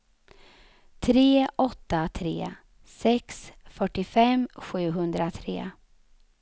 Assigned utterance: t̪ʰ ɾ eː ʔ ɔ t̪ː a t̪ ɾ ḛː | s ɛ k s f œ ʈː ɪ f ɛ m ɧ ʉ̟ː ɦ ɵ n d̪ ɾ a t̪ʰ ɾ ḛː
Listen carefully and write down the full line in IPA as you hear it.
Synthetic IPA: t̪ʰ ɾ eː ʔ ɔ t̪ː a t̪ʰ ɾ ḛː | s ɛ k s f œ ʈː ɪ f ɛ m ɧ ʉ̟ː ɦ ɵ n d̪ ɾ a t̪ʰ ɾ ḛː